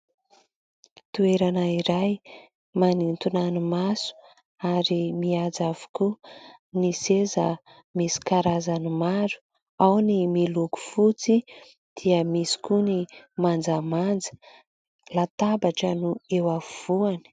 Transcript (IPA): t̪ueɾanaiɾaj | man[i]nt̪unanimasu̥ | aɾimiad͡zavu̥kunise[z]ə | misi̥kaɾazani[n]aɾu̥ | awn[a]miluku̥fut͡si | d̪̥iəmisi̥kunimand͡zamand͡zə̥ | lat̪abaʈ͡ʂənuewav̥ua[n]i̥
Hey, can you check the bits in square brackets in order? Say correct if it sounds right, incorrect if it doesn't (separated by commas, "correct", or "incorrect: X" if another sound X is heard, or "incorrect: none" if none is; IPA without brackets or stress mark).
correct, correct, incorrect: m, incorrect: i, correct